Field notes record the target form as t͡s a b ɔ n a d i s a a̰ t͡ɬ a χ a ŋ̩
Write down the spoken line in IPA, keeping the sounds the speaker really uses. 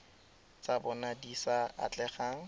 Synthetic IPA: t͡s a b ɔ n a d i s a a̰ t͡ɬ ɛ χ a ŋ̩